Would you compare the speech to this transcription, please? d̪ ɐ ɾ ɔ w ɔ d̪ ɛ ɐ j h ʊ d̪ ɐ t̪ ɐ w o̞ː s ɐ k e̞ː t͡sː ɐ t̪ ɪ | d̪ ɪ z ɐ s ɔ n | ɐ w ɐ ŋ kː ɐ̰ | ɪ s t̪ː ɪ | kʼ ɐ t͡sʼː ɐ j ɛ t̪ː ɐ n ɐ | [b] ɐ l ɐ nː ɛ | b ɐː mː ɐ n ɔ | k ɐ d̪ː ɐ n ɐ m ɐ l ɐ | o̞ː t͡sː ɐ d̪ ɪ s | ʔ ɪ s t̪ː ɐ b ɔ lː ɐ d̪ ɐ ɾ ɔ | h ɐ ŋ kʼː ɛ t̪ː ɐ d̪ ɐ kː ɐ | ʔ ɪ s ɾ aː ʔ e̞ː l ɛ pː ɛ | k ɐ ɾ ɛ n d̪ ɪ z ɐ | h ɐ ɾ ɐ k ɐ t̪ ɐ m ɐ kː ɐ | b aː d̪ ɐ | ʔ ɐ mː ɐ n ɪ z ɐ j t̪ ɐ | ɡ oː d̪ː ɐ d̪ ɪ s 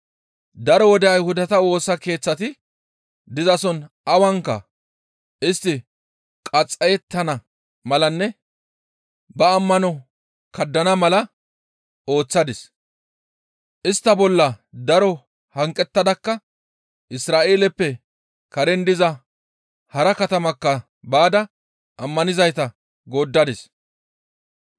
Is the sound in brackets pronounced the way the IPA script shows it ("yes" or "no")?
no